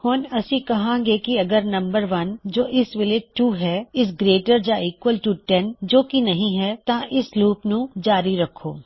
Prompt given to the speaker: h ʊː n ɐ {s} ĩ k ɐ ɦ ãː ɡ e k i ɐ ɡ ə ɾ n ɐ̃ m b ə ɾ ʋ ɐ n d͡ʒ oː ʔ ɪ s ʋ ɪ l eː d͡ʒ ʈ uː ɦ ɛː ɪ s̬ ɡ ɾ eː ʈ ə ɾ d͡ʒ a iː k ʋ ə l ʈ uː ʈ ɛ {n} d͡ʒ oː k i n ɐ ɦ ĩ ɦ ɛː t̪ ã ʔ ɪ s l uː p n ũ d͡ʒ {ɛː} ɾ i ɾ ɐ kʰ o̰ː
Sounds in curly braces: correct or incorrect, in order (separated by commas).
correct, correct, incorrect